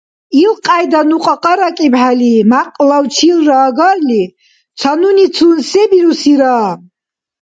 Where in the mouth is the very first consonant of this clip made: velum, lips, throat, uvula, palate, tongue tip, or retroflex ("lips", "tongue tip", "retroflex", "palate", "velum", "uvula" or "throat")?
tongue tip